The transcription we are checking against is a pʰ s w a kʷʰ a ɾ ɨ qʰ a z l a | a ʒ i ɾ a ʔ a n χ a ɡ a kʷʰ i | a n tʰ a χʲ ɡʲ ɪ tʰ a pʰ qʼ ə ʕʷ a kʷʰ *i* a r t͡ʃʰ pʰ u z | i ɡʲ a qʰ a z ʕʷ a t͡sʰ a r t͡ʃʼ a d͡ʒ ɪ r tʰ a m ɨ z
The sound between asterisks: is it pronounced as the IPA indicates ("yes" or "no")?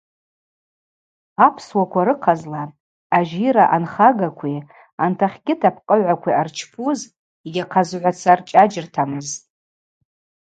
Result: yes